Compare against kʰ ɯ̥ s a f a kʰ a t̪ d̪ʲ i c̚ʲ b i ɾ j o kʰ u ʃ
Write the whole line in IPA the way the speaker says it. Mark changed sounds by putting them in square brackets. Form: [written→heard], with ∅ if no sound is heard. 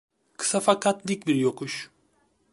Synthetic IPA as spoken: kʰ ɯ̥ s a f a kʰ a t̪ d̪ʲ i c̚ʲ b i ɾ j o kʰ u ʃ